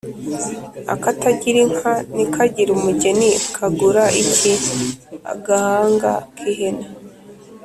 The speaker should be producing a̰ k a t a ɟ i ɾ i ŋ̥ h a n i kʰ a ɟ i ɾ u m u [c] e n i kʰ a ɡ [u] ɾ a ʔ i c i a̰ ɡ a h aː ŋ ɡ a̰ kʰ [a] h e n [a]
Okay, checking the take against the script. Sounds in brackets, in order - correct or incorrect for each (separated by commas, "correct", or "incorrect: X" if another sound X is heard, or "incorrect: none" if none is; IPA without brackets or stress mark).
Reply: incorrect: ɟ, correct, incorrect: i, correct